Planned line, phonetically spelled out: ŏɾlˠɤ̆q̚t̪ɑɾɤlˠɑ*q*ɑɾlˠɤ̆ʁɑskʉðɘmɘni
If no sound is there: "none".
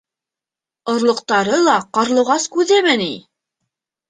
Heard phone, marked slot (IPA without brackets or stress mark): q